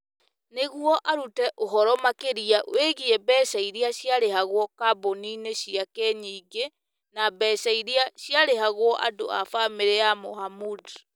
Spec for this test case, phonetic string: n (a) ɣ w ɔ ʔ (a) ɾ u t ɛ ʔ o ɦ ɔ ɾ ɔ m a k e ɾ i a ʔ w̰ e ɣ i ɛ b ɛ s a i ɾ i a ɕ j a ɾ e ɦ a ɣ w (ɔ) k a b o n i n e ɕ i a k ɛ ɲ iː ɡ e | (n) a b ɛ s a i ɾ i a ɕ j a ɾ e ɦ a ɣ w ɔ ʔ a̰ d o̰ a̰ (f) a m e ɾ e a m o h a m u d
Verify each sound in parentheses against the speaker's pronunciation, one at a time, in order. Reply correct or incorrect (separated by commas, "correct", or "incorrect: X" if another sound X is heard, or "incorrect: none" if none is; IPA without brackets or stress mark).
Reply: incorrect: e, correct, correct, correct, correct